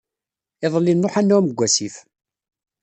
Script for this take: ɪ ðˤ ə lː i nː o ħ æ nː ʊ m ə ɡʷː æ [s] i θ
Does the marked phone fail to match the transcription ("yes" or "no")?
no